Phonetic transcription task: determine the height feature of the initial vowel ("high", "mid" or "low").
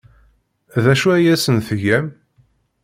low